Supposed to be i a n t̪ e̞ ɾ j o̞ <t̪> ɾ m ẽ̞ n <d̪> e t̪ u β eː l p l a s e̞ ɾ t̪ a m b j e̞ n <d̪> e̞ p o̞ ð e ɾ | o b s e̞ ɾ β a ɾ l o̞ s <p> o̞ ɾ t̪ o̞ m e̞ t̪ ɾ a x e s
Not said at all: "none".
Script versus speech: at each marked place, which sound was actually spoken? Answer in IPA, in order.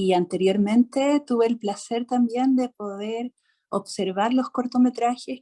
none, t̪, d̪, k

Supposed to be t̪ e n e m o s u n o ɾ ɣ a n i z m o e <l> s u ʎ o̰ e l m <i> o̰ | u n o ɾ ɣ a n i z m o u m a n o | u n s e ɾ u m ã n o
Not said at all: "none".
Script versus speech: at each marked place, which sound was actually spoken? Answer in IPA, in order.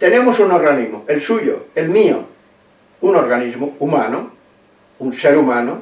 l, i

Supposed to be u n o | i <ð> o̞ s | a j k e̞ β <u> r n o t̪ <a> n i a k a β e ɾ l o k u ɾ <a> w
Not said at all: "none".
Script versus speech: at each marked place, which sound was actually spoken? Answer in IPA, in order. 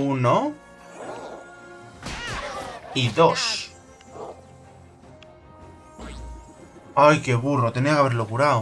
ð, u, e, a

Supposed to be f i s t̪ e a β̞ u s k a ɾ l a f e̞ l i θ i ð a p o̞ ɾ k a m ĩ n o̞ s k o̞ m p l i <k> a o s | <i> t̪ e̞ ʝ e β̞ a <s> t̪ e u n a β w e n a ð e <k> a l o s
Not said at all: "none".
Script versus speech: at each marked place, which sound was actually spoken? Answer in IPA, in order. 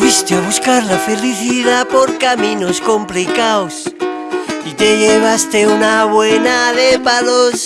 k, i, s, p

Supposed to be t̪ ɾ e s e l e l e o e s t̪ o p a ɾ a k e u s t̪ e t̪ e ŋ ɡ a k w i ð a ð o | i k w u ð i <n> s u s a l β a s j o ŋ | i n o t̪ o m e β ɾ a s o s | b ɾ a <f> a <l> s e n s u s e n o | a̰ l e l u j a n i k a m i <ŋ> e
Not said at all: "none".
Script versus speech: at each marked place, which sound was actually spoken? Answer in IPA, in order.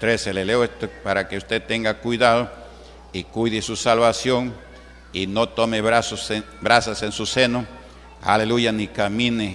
none, s, none, n

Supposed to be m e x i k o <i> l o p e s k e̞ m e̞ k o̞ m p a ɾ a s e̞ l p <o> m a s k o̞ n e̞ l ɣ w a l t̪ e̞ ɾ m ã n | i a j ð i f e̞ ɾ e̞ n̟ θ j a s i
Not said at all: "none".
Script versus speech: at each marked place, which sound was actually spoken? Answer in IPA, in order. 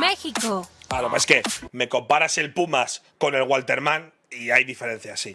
a, u

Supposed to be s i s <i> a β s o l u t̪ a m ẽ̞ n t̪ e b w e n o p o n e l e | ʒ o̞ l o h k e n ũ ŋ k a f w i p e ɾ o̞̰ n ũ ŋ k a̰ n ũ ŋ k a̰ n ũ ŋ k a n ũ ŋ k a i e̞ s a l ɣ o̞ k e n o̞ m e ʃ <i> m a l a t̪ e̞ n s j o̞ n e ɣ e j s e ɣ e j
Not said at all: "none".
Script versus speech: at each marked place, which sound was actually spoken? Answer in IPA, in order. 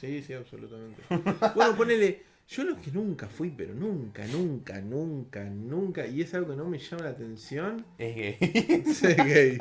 i, a

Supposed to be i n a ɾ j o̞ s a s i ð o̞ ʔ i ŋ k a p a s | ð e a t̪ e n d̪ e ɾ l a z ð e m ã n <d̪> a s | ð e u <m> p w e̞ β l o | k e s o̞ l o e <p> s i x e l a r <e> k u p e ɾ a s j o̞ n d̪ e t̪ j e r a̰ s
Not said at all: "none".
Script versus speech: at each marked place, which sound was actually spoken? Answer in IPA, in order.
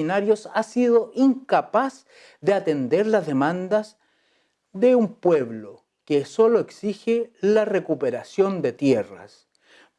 d̪, m, k, e

